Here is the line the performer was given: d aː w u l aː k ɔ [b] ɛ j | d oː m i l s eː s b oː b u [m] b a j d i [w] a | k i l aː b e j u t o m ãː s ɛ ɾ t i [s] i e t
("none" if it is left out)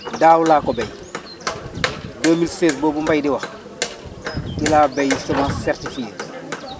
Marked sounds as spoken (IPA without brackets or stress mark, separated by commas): b, m, w, f